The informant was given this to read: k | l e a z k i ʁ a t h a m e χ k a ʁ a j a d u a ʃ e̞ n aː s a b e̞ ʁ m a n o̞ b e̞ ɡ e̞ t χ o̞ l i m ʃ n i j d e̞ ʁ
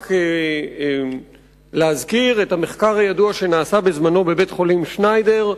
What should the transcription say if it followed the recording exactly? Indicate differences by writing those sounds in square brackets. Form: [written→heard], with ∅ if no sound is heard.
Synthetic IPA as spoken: k | l e a z k i ʁ [a→e] t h a m e χ k a ʁ a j a d u a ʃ e̞ n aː s a b e̞ [ʁ→z] m a n o̞ b e̞ [ɡ→b] e̞ t χ o̞ l i m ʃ n [i→a] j d e̞ ʁ